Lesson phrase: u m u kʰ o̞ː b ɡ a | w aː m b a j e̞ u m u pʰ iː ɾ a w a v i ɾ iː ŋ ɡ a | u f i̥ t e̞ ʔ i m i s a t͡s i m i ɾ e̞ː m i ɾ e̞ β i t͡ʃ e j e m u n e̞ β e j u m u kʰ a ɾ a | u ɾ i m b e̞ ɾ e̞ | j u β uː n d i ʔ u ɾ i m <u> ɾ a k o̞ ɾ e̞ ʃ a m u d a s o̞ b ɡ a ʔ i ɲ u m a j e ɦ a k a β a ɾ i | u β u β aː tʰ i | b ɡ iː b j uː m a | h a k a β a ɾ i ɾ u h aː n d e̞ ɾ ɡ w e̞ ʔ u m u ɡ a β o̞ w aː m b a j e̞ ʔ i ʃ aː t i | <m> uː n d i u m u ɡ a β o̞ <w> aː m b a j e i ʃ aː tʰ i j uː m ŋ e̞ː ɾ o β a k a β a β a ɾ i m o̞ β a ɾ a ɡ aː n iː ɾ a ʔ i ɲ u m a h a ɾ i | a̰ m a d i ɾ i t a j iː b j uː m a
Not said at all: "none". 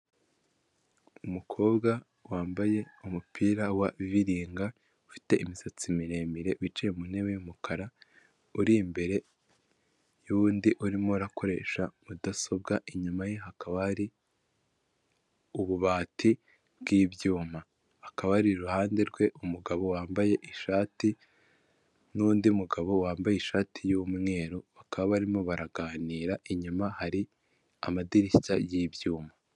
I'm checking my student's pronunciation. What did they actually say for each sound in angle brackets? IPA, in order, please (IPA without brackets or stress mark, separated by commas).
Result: o, n, w